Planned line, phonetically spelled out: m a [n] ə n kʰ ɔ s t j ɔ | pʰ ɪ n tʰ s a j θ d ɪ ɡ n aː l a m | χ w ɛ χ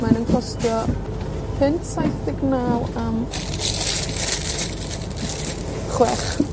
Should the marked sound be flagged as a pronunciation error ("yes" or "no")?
no